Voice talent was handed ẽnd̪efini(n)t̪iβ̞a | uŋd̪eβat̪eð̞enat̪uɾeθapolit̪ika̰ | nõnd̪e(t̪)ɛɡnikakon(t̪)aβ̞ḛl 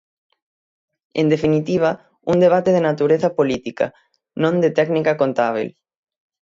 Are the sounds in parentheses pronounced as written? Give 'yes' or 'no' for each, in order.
no, yes, yes

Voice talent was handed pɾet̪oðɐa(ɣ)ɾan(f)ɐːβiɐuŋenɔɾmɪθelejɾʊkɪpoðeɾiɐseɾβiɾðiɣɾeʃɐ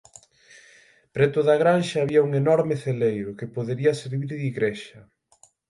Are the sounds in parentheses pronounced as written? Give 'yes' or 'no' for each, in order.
yes, no

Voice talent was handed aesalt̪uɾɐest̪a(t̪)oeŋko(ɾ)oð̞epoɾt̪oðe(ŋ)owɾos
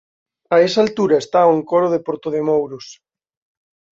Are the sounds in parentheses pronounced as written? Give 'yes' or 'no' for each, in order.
no, yes, no

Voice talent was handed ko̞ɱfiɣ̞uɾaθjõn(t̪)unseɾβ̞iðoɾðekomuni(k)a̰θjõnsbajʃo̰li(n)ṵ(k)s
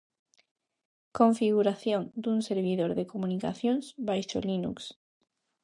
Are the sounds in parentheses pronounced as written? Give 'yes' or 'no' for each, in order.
no, yes, yes, yes

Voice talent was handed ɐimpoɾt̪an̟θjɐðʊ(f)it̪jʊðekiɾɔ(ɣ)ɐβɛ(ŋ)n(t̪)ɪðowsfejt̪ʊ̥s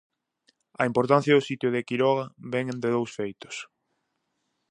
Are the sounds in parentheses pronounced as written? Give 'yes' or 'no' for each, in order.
no, yes, yes, no

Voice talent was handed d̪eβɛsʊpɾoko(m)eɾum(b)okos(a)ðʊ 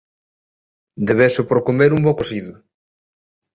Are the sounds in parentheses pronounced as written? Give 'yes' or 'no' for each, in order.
yes, yes, no

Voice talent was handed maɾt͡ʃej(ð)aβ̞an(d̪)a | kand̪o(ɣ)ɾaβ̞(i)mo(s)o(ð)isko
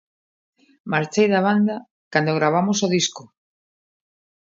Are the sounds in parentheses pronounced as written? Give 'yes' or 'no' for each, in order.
yes, yes, yes, no, yes, yes

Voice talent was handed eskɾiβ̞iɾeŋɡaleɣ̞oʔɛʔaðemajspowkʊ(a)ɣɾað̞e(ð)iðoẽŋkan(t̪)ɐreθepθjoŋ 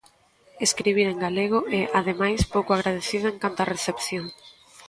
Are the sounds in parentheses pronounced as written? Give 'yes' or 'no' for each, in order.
yes, no, yes

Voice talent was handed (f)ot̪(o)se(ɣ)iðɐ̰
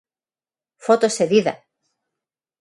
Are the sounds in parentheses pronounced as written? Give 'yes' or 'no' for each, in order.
yes, yes, no

